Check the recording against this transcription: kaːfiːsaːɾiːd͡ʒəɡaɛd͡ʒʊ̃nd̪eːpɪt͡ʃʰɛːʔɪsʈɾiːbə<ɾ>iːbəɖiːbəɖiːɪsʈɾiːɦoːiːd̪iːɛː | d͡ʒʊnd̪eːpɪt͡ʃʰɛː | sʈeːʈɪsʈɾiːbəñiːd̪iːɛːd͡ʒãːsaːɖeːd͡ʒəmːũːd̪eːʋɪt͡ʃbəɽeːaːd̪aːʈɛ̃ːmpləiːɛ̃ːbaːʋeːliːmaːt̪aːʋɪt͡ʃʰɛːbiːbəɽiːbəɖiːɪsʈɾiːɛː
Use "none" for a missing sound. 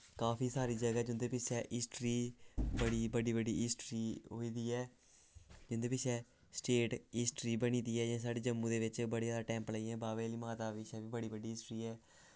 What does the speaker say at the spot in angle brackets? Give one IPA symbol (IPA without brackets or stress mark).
ɽ